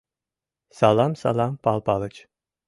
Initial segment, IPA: s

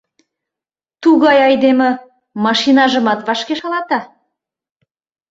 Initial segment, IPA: t̪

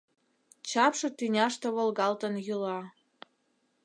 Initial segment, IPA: t͡ɕ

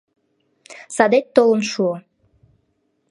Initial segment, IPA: s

